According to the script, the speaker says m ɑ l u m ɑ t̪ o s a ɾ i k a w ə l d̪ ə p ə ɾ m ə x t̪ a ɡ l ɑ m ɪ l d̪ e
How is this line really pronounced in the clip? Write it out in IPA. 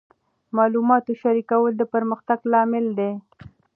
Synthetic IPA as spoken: m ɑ l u m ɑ t̪ o ʃ a ɾ i k a w ə l d̪ ə p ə ɾ m ə x t̪ a ɡ l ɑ m ɪ l d̪ e